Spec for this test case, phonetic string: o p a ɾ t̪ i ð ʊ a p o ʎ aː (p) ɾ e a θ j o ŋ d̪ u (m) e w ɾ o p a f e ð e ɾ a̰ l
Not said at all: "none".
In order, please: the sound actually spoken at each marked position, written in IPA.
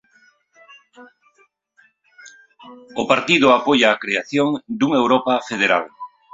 k, ŋ

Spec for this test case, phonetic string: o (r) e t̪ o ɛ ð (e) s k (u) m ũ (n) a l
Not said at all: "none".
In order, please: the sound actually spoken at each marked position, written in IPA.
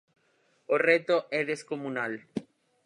r, e, o, n

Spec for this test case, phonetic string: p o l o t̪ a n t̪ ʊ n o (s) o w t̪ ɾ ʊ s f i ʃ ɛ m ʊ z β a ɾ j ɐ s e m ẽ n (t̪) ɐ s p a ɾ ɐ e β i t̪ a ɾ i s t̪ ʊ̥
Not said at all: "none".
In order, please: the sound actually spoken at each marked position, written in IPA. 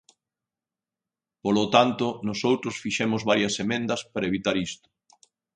s, d̪

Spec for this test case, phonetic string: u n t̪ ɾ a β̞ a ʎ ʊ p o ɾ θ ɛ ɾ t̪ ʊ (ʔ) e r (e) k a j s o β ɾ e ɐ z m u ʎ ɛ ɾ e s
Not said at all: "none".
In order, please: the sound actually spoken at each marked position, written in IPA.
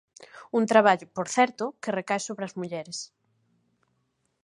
k, e

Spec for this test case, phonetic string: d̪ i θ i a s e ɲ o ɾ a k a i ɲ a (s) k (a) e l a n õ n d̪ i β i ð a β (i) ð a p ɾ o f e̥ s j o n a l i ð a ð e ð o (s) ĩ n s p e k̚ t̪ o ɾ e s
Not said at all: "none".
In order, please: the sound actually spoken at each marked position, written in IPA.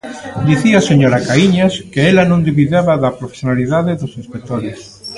s, e, a, s

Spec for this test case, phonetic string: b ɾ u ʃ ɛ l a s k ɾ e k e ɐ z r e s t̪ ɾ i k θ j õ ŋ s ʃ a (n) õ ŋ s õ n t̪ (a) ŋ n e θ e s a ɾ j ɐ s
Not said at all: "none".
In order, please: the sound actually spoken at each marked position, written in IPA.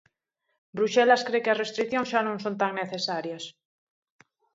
n, a

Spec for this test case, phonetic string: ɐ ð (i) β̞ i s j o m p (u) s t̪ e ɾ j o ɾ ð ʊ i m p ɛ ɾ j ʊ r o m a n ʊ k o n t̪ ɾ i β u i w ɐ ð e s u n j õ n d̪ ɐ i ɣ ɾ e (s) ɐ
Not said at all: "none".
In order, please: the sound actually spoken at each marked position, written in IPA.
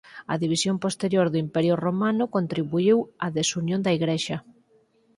i, o, ʃ

